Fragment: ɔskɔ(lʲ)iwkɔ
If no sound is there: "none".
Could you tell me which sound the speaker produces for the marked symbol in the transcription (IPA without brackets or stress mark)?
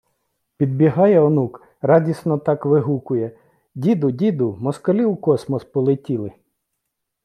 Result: lʲ